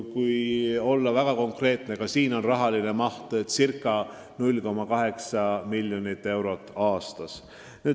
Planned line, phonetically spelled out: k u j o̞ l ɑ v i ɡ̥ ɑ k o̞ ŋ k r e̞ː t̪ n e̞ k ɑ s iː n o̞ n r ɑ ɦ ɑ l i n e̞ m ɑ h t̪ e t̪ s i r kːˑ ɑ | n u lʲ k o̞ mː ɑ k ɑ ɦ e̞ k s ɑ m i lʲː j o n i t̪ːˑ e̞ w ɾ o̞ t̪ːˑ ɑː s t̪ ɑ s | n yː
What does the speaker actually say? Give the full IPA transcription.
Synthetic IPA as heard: k u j o̞ lː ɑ v æ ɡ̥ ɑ k o̞ ŋ k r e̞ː t̪ n e̞ k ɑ s iː n o̞ n r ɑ ɦ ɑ l i n e̞ m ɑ h t̪ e t̪ s i r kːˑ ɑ | n u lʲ k o̞ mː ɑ k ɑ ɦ e̞ k s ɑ m i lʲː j o n i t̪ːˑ e̞ w ɾ o̞ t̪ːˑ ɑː s t̪ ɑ s | n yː